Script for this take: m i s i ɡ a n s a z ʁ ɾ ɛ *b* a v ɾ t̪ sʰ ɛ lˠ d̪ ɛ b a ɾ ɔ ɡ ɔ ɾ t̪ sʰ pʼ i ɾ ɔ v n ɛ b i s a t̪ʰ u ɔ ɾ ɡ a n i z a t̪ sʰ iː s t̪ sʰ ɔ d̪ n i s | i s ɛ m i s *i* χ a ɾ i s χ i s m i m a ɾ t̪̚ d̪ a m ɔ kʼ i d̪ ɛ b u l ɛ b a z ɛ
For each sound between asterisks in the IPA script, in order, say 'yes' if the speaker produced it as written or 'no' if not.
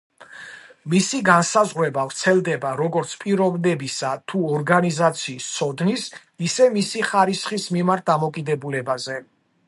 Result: yes, yes

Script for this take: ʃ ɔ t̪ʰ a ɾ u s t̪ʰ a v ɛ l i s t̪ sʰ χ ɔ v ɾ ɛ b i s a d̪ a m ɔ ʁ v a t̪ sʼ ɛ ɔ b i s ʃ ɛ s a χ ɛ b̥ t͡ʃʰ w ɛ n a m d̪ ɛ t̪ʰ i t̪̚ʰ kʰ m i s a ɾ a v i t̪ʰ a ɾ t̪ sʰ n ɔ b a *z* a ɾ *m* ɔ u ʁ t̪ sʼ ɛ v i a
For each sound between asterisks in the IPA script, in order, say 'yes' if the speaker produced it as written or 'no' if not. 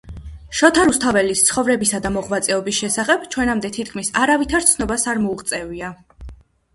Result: no, yes

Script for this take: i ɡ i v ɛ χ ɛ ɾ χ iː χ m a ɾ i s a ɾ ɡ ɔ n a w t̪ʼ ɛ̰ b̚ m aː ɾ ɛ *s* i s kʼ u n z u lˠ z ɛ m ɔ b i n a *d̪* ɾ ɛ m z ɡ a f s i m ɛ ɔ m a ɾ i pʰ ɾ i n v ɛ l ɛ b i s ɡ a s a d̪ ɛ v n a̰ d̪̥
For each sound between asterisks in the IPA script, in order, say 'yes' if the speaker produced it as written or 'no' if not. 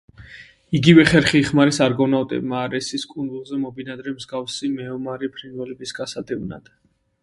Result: yes, yes

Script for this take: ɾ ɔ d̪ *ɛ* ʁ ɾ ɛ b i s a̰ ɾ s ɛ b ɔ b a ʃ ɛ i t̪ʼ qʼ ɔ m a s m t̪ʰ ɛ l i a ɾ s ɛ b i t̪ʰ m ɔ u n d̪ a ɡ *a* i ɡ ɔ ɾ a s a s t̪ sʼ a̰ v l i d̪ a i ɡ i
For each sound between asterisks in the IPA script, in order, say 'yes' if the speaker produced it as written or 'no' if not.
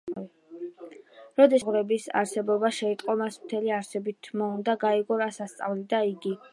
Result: yes, yes

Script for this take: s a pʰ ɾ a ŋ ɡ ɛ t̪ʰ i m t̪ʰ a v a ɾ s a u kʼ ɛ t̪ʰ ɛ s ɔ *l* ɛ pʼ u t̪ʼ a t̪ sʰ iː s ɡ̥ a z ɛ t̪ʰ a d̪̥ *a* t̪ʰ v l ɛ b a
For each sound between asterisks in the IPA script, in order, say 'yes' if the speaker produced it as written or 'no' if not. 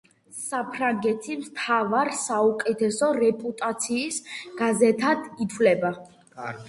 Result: no, no

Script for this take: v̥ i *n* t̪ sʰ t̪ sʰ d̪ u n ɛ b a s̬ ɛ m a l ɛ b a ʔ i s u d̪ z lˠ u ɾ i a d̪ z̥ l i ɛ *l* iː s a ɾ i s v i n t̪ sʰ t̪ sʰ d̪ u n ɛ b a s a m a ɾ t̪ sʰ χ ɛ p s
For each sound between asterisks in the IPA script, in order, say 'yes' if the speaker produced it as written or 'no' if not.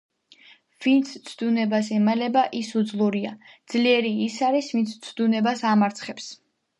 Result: yes, no

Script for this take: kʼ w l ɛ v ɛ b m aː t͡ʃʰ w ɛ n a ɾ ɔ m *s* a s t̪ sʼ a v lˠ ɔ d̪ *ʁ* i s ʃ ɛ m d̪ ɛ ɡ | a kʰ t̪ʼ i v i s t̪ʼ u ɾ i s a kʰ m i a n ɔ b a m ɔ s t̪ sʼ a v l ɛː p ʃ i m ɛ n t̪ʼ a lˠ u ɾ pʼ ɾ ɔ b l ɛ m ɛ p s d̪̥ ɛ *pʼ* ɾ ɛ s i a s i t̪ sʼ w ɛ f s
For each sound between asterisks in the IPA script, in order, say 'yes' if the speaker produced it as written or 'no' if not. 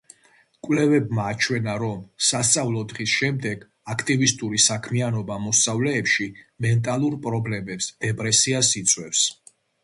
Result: yes, yes, yes

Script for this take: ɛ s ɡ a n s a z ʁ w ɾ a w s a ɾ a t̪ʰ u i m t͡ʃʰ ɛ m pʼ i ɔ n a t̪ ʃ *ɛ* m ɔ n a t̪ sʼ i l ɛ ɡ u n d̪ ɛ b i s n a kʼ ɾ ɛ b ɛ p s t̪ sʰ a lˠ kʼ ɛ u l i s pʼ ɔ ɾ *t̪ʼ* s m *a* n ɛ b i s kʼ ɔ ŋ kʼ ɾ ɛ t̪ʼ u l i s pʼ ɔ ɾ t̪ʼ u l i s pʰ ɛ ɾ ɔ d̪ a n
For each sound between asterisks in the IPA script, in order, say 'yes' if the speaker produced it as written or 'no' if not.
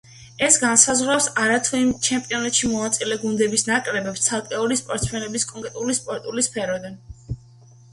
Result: no, no, no

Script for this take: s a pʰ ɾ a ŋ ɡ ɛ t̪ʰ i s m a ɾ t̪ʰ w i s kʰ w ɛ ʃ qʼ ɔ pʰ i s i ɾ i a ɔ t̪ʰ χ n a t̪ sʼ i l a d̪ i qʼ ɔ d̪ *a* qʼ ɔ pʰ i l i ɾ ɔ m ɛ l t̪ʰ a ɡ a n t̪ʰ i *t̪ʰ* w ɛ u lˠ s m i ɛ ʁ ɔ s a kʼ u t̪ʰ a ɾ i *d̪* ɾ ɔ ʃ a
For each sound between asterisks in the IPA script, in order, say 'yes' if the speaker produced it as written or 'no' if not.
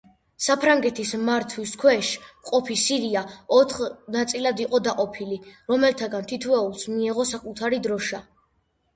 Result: yes, yes, yes

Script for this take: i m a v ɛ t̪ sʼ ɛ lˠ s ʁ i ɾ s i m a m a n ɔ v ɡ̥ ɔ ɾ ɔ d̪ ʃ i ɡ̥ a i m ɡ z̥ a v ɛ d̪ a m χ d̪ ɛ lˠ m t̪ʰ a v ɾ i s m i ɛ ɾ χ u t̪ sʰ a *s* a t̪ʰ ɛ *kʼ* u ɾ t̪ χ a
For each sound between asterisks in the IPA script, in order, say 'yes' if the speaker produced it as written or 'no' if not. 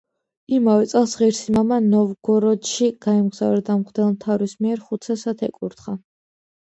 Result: yes, yes

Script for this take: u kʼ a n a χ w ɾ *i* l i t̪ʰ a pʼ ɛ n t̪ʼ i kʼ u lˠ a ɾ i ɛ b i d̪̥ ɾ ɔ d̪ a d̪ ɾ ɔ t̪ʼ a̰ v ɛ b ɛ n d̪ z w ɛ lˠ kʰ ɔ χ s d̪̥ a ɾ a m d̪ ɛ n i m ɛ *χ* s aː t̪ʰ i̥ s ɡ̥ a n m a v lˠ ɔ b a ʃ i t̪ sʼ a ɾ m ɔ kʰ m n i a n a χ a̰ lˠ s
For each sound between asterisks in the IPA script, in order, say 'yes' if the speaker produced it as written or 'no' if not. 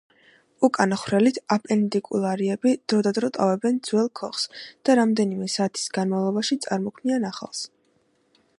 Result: no, no

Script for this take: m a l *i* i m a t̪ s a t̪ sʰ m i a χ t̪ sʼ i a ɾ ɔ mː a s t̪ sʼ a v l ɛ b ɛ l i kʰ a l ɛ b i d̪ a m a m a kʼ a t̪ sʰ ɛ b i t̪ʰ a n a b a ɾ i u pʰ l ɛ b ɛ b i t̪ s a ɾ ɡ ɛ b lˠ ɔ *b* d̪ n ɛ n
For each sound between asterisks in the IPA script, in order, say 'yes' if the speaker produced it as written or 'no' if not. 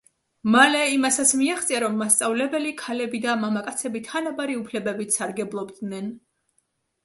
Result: no, yes

